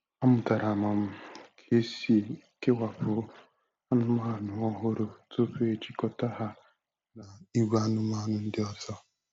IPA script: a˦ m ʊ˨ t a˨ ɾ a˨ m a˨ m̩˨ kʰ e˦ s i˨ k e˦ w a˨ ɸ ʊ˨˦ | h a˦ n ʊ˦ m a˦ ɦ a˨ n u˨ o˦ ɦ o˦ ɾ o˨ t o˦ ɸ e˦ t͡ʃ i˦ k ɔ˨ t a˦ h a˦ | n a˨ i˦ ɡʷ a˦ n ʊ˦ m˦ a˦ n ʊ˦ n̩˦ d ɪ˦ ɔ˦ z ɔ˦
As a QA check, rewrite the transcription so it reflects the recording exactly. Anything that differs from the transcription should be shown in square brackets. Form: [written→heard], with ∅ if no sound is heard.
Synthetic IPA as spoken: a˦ m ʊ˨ t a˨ ɾ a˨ m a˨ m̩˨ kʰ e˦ s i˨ k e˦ w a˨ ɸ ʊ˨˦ | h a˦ n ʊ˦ m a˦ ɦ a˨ n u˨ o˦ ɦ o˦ ɾ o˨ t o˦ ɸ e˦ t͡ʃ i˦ k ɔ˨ t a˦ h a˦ | n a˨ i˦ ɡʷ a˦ n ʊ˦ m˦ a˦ n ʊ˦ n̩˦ d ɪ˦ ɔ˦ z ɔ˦